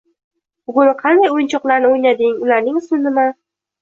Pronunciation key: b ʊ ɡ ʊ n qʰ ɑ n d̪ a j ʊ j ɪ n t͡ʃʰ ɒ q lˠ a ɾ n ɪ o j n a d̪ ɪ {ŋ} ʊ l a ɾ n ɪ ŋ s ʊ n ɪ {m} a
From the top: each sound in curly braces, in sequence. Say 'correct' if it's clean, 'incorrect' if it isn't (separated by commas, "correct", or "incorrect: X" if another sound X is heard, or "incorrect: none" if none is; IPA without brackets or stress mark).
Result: correct, correct